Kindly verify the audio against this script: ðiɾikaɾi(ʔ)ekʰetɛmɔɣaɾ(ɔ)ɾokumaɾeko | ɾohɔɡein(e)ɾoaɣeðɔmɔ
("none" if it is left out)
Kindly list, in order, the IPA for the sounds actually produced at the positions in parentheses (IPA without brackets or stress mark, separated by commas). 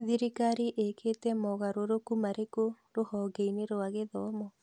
ʔ, o, e